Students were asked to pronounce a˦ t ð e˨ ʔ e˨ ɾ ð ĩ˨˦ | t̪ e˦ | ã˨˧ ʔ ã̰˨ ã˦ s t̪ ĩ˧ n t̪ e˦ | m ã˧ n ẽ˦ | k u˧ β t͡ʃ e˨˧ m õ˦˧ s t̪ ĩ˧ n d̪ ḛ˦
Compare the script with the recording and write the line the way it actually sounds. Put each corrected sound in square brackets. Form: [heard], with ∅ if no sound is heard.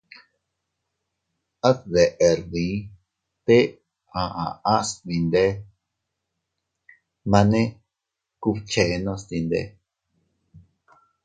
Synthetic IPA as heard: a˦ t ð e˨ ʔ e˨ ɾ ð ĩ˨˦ | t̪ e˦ | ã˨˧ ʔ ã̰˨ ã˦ s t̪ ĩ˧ n [d̪] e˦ | m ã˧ n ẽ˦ | k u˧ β t͡ʃ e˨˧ [n] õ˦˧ s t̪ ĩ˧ n d̪ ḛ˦